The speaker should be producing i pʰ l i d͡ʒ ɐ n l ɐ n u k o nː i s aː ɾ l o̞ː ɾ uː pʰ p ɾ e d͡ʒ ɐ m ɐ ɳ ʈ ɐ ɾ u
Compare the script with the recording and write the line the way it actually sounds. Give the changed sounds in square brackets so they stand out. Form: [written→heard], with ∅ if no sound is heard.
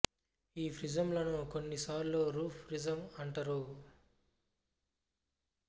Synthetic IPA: [i→iː] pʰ [l→ɾ] i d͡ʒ ɐ [n→m] l ɐ n u k o nː i s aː ɾ l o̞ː ɾ uː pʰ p ɾ [e→i] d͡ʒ ɐ m ɐ ɳ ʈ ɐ ɾ u